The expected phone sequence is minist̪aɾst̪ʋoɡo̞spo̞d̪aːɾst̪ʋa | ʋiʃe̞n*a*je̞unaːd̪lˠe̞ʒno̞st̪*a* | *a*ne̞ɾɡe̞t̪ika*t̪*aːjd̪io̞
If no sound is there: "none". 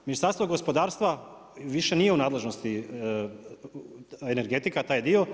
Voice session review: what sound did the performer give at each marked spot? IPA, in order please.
i, i, e, t̪

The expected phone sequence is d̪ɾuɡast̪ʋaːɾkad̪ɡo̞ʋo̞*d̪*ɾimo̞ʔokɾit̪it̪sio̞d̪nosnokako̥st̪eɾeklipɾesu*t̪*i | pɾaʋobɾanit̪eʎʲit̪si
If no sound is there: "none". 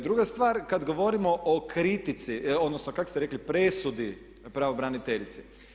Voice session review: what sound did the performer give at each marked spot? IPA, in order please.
none, d̪

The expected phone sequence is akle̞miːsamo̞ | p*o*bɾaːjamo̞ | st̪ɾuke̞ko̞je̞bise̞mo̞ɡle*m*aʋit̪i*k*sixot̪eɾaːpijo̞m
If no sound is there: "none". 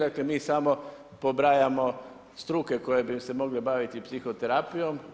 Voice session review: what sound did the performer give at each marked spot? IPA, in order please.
o, b, p

